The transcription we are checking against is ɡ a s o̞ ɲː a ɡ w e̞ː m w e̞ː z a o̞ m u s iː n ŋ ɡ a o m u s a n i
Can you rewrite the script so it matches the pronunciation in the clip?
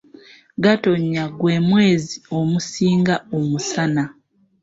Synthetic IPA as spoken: ɡ a t o̞ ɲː a ɡ w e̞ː m w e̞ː z i o̞ m u s iː ŋ ɡ a o m u s a n a